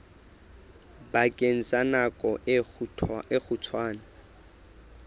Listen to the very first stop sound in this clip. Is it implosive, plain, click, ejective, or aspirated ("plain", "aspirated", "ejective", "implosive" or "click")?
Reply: plain